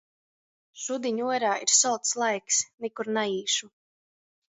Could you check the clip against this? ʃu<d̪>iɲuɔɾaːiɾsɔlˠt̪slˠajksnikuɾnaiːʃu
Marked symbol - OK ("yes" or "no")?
yes